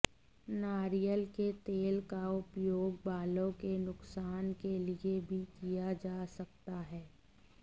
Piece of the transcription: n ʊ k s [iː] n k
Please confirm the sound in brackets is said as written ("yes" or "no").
no